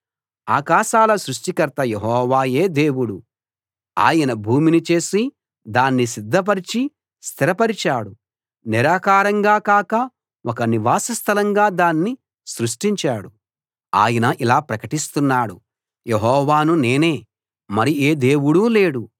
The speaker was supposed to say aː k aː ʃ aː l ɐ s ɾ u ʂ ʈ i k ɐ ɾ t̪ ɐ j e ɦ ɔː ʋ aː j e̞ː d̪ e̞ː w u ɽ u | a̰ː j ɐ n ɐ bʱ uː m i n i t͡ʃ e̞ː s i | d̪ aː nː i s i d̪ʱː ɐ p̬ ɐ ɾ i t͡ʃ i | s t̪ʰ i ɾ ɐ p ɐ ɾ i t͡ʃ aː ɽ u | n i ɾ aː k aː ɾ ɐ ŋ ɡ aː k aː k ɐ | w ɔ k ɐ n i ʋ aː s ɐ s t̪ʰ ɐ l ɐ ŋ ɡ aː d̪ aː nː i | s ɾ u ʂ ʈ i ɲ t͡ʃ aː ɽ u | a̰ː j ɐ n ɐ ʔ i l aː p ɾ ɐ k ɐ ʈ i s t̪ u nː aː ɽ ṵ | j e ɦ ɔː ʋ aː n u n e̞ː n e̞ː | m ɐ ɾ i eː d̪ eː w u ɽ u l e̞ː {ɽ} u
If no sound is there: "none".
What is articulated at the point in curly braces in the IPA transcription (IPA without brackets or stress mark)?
ɽ